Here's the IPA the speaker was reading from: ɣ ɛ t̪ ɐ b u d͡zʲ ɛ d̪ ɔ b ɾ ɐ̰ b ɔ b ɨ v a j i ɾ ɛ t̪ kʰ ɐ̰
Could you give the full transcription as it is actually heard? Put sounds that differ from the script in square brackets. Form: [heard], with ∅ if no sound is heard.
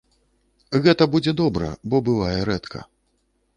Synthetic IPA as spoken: ɣ ɛ t̪ ɐ b u d͡zʲ ɛ d̪ ɔ b ɾ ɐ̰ b ɔ b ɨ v a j [ɛ] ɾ ɛ t̪ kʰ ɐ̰